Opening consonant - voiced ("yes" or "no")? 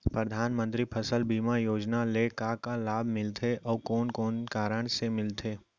no